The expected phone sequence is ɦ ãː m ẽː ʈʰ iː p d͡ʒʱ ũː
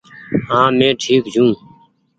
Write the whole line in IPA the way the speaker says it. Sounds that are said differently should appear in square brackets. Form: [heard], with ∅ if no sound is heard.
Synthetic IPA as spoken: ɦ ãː m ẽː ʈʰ iː [k] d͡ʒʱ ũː